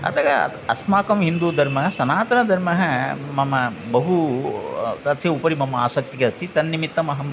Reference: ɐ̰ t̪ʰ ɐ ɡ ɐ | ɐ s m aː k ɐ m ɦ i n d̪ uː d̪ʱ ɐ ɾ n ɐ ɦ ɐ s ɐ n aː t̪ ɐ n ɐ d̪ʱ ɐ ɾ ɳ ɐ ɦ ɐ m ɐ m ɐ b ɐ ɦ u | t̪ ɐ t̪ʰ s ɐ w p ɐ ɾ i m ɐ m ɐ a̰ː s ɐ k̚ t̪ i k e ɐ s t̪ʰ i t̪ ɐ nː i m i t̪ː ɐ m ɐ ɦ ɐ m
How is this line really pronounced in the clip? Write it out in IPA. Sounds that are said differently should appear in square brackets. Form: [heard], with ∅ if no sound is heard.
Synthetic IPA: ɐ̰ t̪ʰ ɐ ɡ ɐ | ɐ s m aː k ɐ m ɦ i n d̪ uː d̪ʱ ɐ ɾ [m] ɐ ɦ ɐ s ɐ n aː t̪ ɐ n ɐ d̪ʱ ɐ ɾ [m] ɐ ɦ ɐ m ɐ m ɐ b ɐ ɦ u | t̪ ɐ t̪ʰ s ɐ [u] p ɐ ɾ i m ɐ m ɐ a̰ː s ɐ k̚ t̪ i k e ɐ s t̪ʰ i t̪ ɐ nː i m i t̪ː ɐ m ɐ ɦ ɐ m